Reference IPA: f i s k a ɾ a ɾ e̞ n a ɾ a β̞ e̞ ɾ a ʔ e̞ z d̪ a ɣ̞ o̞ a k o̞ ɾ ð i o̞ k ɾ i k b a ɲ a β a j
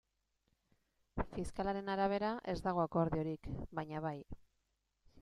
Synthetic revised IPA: f i s k a l a ɾ e̞ n a ɾ a β̞ e̞ ɾ a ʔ e̞ z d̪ a ɣ̞ o̞ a k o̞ ɾ ð i o̞ ɾ i k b a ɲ a β a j

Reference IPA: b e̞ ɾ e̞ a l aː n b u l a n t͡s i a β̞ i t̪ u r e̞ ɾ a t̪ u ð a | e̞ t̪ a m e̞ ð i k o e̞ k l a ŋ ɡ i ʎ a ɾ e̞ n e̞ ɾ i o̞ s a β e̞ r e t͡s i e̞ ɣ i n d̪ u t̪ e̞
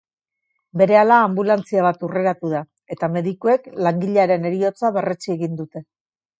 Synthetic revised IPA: b e̞ ɾ e̞ a l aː m b u l a n t͡s i a β̞ a t̪ u r e̞ ɾ a t̪ u ð a | e̞ t̪ a m e̞ ð i k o e̞ k l a ŋ ɡ i ʎ a ɾ e̞ n e̞ ɾ i o̞ t͡s a β e̞ r e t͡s i e̞ ɣ i n d̪ u t̪ e̞

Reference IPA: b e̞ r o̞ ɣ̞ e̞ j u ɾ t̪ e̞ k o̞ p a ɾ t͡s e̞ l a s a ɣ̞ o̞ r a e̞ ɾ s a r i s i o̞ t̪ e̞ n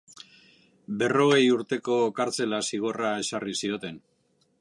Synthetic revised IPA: b e̞ r o̞ ɣ̞ e̞ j u ɾ t̪ e̞ k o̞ k a ɾ t͡s e̞ l a s i ɣ̞ o̞ r a e̞ s a r i s i o̞ t̪ e̞ n

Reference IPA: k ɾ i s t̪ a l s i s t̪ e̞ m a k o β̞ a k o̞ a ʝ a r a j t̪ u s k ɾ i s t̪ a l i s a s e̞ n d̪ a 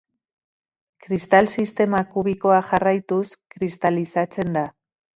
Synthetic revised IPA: k ɾ i s t̪ a l s i s t̪ e̞ m a k u β̞ i k o̞ a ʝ a r a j t̪ u s k ɾ i s t̪ a l i s a t͡s e̞ n d̪ a

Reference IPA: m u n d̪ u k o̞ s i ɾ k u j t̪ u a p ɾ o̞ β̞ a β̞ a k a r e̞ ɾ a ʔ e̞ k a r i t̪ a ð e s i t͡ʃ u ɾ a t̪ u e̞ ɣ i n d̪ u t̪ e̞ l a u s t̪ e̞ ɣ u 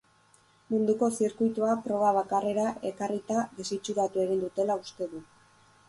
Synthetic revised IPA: m u n d̪ u k o̞ s i ɾ k u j t̪ u a p ɾ o̞ β̞ a β̞ a k a r e̞ ɾ a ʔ e̞ k a r i t̪ a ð e s i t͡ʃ u ɾ a t̪ u e̞ ɣ i n d̪ u t̪ e̞ l a u s t̪ e̞ ð u

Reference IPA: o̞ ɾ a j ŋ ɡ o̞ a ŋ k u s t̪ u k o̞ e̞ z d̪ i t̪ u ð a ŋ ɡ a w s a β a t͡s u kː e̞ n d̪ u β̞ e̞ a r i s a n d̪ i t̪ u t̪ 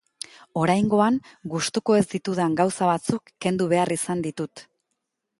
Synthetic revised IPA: o̞ ɾ a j ŋ ɡ o̞ a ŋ ɡ u s t̪ u k o̞ e̞ z d̪ i t̪ u ð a ŋ ɡ a w s a β a t͡s u kː e̞ n d̪ u β̞ e̞ a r i s a n d̪ i t̪ u t̪

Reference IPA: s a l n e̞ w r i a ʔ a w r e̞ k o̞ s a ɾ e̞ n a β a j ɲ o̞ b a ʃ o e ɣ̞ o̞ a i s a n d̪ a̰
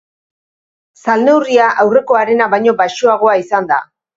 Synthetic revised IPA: s a l n e̞ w r i a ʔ a w r e̞ k o̞ a ɾ e̞ n a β a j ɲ o̞ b a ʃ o a ɣ̞ o̞ a i s a n d̪ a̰

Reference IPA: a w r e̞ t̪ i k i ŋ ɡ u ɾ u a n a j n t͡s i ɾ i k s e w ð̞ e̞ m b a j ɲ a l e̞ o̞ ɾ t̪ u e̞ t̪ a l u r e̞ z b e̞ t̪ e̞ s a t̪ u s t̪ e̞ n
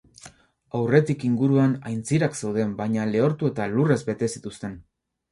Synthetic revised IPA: a w r e̞ t̪ i k i ŋ ɡ u ɾ u a n a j n t͡s i ɾ a k s e w ð̞ e̞ m b a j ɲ a l e̞ o̞ ɾ t̪ u e̞ t̪ a l u r e̞ z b e̞ t̪ e̞ s i t̪ u s t̪ e̞ n

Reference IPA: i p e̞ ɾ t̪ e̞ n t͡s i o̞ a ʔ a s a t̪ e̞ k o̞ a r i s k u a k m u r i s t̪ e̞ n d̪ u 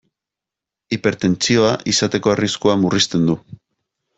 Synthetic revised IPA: i p e̞ ɾ t̪ e̞ n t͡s i o̞ a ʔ i s a t̪ e̞ k o̞ a r i s k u a m u r i s t̪ e̞ n d̪ u

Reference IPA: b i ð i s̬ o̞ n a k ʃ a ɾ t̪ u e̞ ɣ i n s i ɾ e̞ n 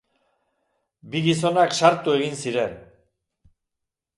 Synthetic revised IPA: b i ɣ i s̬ o̞ n a k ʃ a ɾ t̪ u e̞ ɣ i n s i ɾ e̞ n

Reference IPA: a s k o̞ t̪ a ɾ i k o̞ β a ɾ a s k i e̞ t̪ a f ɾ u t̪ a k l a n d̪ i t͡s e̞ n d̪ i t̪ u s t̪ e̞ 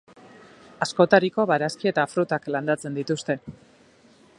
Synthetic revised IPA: a s k o̞ t̪ a ɾ i k o̞ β a ɾ a s k i e̞ t̪ a f ɾ u t̪ a k l a n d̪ a t͡s e̞ n d̪ i t̪ u s t̪ e̞

